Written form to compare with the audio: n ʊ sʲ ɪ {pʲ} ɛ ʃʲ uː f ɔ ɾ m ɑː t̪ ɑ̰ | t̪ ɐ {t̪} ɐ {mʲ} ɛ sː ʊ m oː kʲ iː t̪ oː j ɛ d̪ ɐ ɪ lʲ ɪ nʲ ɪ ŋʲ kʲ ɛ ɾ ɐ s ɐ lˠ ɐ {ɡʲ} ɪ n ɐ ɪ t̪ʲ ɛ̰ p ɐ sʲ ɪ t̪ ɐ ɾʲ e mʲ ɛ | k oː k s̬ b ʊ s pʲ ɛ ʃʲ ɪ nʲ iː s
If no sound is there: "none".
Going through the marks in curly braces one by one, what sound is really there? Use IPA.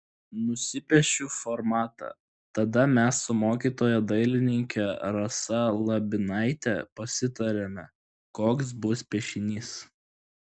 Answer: pʲ, d̪, mʲ, bʲ

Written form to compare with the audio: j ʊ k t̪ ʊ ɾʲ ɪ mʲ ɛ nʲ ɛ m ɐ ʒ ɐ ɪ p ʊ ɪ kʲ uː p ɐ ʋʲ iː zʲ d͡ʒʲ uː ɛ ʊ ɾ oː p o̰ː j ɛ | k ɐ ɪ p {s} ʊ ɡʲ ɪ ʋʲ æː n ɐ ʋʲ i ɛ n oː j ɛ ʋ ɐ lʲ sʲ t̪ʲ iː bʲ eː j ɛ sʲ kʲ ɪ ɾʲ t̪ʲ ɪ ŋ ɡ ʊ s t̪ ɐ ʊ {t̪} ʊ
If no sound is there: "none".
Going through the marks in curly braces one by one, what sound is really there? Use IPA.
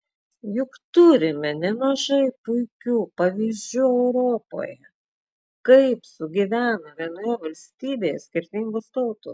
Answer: s, t̪

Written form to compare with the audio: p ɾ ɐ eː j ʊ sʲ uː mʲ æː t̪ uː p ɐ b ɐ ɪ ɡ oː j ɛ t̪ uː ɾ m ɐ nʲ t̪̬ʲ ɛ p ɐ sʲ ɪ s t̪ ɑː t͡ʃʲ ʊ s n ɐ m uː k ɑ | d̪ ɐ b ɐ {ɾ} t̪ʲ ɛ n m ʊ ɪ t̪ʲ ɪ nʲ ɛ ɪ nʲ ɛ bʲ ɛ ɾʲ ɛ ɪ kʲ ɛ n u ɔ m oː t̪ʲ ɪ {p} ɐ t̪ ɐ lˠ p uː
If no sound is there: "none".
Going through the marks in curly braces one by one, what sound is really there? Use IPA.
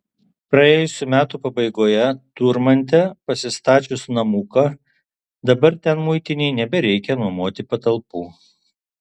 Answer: ɾ, p

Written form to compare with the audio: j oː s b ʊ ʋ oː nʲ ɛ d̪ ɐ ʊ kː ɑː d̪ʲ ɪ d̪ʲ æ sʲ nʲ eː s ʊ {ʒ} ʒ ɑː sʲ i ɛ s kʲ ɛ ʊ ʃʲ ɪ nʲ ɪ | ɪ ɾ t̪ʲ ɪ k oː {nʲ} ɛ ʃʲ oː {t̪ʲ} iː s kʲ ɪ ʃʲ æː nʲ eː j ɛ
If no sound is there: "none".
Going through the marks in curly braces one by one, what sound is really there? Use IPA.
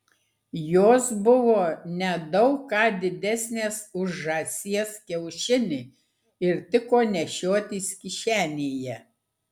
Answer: ʒ, nʲ, t̪ʲ

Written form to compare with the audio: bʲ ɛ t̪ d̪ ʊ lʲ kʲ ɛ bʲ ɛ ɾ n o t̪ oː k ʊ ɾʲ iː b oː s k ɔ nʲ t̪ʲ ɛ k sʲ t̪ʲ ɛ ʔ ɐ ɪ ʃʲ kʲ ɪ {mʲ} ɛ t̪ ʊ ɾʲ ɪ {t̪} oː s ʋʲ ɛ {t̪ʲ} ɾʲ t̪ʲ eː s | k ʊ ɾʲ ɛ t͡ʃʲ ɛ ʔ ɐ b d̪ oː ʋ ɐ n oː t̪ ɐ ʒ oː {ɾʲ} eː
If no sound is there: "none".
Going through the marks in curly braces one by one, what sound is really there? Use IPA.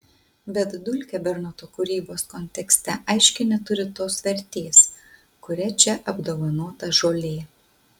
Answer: nʲ, t̪, none, lʲ

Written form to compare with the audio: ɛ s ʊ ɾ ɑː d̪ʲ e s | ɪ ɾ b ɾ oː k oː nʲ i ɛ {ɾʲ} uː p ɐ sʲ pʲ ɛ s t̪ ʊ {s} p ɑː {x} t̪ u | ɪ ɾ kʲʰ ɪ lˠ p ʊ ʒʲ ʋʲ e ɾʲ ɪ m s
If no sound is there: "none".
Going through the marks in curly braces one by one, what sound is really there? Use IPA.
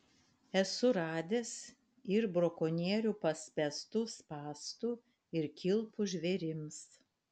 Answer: ɾʲ, s, s

